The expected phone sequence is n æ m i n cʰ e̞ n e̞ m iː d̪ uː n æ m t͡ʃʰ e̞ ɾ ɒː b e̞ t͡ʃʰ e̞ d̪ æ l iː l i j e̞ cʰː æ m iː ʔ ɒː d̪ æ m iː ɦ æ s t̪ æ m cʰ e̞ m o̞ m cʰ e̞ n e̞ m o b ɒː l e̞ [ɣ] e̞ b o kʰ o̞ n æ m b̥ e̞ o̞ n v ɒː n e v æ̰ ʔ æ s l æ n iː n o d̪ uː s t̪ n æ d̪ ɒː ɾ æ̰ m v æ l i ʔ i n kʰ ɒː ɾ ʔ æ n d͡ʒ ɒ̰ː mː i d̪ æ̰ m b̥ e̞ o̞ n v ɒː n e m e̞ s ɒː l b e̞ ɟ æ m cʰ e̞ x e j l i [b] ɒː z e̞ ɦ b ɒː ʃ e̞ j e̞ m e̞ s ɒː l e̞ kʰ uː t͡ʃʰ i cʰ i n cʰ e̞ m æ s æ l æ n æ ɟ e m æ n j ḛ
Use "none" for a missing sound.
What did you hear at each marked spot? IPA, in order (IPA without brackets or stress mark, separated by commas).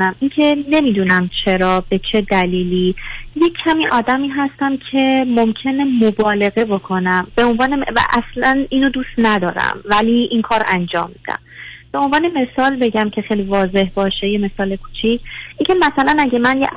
ɣ, v